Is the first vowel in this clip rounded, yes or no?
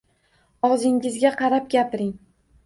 yes